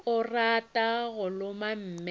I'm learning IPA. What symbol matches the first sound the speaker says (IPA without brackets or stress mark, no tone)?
ʊ